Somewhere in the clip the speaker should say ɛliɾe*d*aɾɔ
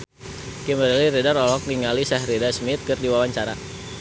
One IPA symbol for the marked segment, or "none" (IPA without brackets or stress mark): d